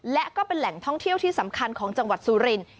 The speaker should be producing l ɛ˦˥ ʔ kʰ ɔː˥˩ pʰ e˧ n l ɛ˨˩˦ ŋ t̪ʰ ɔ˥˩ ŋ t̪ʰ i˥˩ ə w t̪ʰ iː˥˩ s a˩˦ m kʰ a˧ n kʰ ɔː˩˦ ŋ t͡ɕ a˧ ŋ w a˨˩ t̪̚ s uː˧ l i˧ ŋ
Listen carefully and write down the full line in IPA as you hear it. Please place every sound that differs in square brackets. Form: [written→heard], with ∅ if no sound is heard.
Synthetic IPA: l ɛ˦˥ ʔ [kʰ→k] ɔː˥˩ [pʰ→p] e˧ n l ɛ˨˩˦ ŋ t̪ʰ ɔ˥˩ ŋ t̪ʰ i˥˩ ə w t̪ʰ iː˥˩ s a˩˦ m kʰ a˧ n kʰ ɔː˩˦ ŋ t͡ɕ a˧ ŋ w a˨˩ t̪̚ s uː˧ [l→ɾ] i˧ [ŋ→n]

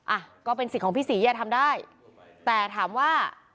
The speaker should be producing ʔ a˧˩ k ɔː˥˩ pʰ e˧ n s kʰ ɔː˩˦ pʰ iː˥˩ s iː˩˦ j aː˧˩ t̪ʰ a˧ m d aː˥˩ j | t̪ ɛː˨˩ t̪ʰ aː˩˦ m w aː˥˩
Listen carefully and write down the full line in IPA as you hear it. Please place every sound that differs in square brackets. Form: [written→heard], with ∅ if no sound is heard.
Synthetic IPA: ʔ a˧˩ k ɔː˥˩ [pʰ→p] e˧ n s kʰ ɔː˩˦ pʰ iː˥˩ s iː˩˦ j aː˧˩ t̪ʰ a˧ m d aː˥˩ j | t̪ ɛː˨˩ t̪ʰ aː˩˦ m w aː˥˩

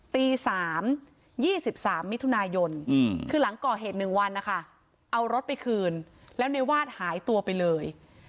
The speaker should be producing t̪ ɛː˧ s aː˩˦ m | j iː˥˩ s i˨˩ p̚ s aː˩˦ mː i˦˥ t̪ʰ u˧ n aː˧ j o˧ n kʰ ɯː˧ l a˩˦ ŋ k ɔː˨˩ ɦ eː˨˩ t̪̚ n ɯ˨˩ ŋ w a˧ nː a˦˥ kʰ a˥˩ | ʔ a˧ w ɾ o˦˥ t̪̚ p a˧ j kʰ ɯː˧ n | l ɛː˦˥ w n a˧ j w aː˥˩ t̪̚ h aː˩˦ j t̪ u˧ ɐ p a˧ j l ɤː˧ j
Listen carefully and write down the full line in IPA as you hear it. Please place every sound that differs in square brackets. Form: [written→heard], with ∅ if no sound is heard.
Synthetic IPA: t̪ [ɛː˧→iː˧] s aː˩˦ m | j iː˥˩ s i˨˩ p̚ s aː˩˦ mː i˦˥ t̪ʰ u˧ n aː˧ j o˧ n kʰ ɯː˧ l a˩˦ ŋ k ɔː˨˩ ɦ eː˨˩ t̪̚ n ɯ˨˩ ŋ w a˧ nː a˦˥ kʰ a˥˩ | ʔ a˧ w ɾ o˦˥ t̪̚ p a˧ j kʰ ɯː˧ n | l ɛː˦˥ w n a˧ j w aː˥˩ t̪̚ h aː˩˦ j t̪ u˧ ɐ p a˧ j l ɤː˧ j

